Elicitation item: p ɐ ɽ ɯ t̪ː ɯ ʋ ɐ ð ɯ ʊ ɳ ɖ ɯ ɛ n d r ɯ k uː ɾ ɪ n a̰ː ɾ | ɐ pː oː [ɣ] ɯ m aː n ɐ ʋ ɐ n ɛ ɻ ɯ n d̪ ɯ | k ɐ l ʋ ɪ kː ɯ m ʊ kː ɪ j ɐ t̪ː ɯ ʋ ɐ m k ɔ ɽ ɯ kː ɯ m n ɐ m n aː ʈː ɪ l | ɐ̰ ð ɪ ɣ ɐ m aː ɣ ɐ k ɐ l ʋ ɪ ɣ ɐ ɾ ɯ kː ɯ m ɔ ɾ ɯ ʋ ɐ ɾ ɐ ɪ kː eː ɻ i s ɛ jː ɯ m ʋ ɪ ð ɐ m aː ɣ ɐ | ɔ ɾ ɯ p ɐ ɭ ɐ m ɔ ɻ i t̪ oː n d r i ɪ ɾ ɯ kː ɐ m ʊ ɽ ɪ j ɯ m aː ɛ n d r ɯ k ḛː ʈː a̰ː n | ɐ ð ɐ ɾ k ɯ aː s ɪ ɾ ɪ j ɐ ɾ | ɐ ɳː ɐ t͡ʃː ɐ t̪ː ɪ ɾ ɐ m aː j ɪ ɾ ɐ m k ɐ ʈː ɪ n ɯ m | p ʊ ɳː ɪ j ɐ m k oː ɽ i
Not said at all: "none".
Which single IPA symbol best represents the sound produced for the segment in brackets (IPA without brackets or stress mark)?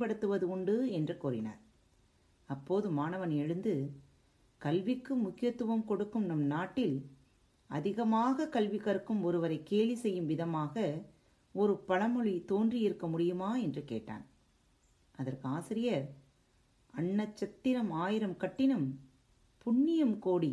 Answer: ð